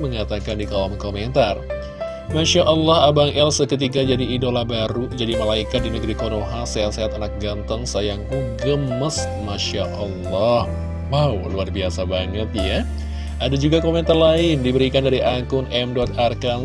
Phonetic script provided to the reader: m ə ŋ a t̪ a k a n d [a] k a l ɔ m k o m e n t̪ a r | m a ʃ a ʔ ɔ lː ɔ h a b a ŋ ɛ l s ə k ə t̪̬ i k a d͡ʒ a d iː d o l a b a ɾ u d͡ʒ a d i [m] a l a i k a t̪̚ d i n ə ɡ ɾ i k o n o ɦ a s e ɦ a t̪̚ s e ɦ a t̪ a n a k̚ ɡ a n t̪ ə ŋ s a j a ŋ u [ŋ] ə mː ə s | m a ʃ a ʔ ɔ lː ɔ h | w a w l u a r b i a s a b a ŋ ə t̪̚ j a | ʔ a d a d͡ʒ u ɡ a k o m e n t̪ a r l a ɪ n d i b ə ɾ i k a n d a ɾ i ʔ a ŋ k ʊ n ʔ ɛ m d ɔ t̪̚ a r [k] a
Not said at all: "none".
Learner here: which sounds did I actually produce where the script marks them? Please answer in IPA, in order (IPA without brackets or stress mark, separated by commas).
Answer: i, m, ɡ, k